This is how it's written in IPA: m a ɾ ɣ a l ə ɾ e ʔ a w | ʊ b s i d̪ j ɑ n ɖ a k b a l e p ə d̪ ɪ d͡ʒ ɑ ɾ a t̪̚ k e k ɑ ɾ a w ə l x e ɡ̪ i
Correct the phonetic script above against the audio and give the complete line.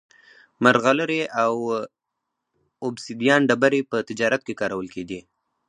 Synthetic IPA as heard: m a ɾ ɣ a l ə ɾ e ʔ a w | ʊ b s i d̪ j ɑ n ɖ a b a ɾ e p ə t̪ ɪ d͡ʒ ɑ ɾ a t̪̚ k e k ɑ ɾ a w ə l k e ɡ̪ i